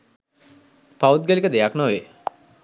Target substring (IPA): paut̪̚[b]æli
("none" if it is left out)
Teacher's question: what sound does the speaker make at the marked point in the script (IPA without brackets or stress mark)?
ɡ